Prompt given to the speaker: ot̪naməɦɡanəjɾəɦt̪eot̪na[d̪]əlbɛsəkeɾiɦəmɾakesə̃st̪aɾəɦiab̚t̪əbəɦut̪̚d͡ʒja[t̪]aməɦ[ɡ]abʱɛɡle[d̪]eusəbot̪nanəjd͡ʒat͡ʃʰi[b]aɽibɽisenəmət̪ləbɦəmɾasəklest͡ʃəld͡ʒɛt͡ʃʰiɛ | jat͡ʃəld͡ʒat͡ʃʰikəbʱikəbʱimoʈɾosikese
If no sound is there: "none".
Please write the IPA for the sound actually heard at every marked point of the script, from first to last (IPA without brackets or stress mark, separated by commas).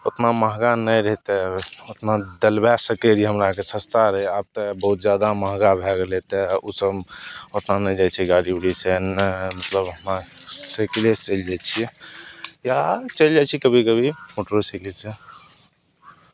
d̪, d̪, ɡ, t̪, ɡ